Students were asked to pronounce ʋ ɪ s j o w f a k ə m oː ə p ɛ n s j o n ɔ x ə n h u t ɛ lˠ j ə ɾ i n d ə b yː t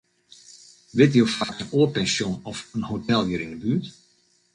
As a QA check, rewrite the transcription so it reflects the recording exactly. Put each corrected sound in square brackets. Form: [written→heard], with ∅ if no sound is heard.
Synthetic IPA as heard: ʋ ɪ [s→t] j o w f a k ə [m→n] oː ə p ɛ n s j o n ɔ [x→f] ə n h [u→o] t ɛ lˠ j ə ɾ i n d ə b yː t

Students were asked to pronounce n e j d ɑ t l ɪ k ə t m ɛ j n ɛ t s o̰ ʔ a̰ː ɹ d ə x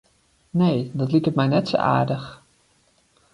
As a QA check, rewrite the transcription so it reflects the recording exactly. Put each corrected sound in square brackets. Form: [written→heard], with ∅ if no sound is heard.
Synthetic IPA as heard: n e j d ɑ t l [ɪ→i] k ə t m ɛ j n ɛ t s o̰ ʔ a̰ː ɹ d ə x

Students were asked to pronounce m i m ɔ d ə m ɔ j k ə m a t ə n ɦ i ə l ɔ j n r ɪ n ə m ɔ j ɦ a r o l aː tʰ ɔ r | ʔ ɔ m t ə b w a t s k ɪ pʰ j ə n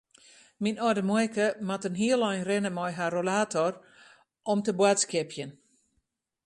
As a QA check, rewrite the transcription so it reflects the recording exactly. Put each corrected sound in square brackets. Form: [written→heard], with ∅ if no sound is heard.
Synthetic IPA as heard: m i [m→n] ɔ d ə m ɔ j k ə m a t ə n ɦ i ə l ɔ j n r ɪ n ə m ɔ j ɦ a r o l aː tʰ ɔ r | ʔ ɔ m t ə b w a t s k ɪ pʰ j ə n

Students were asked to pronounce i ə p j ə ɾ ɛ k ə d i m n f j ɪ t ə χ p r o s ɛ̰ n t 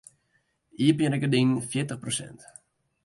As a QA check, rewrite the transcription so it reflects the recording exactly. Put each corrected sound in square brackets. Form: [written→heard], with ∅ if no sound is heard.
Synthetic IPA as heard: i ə p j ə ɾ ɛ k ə d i [m→n] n f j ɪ t ə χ p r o s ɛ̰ n t

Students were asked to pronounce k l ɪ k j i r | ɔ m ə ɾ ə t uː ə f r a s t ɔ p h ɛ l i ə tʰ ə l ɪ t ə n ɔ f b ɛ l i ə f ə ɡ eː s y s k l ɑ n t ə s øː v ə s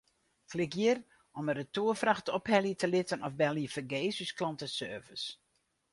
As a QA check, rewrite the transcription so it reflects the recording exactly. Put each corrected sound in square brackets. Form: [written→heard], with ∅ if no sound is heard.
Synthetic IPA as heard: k l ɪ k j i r | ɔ m ə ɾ ə t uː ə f r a [s→x] t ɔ p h ɛ l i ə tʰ ə l ɪ t ə n ɔ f b ɛ l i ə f ə ɡ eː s y s k l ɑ n t ə s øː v ə s

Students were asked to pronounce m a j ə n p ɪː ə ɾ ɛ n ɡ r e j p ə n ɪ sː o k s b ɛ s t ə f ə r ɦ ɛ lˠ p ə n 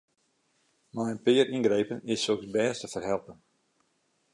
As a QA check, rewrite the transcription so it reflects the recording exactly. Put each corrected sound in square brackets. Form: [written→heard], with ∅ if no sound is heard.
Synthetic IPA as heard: m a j ə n p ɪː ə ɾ [ɛ→i] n ɡ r e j p ə n ɪ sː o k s b [ɛ→ɛː] s t ə f ə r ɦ ɛ lˠ p ə n

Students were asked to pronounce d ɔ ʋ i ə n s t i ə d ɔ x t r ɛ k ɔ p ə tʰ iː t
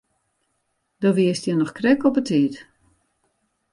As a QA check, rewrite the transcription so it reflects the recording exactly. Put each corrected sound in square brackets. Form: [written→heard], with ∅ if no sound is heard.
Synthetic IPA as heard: d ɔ ʋ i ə [n→∅] s t [i→j] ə [d→n] ɔ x [t→k] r ɛ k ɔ p ə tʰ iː t

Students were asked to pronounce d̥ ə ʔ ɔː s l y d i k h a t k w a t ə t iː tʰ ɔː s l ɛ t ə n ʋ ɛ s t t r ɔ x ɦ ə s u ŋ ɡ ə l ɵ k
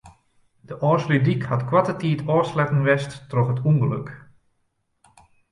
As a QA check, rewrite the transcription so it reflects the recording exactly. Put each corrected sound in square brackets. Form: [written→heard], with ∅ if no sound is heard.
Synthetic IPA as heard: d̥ ə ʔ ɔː s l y d i k h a t k w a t ə t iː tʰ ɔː s l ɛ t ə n ʋ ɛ s t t r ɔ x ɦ ə [s→t] u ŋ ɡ ə l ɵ k

